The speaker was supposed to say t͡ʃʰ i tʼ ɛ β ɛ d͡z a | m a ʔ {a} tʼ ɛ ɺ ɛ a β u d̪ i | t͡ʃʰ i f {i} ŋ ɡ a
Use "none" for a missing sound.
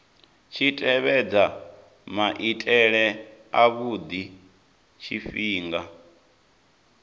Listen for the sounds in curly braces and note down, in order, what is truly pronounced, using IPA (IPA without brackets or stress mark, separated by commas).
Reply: i, iː